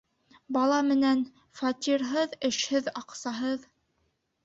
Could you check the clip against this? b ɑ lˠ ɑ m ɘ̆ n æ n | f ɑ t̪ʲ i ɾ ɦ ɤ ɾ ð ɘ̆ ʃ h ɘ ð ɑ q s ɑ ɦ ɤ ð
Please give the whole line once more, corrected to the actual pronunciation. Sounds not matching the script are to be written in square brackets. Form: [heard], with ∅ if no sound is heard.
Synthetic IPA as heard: b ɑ lˠ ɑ m ɘ̆ n æ n | f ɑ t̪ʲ i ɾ ɦ ɤ [∅] ð ɘ̆ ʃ h ɘ ð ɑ q s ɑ ɦ ɤ ð